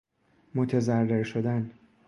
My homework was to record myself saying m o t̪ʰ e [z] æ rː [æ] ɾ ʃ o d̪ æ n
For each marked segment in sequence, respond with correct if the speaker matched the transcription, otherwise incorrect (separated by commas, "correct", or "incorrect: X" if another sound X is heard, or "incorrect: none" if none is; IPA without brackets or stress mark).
correct, incorrect: e